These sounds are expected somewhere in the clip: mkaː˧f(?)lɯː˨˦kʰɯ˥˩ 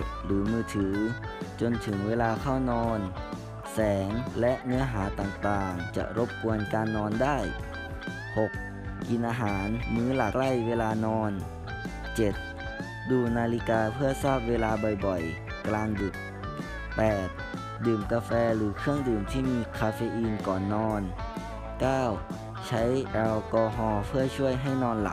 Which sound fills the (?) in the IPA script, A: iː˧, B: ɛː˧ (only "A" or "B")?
B